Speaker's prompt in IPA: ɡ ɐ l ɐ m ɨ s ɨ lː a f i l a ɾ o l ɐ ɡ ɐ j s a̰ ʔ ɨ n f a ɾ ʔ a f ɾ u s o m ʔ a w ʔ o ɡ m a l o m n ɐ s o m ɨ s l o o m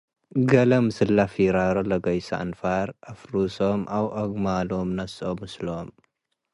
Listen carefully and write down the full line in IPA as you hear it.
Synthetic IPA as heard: ɡ ɐ l ɐ m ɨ s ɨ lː a f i ɾ a ɾ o l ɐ ɡ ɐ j s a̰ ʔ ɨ n f a ɾ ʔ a f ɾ u s o m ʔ a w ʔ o ɡ m a l o m n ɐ s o m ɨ s l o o m